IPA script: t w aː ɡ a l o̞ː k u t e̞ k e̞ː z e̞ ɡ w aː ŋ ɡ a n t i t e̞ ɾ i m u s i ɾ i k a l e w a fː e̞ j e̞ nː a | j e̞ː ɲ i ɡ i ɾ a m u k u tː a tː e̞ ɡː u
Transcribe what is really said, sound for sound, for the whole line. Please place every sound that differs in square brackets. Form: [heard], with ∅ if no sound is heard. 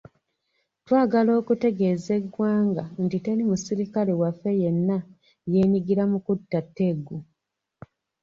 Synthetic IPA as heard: t w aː ɡ a l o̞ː k u t e̞ [ɡ] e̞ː z e̞ ɡ w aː ŋ ɡ a n t i t e̞ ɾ i m u s i ɾ i k a l e w a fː e̞ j e̞ nː a | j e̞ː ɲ i ɡ i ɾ a m u k u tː a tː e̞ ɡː u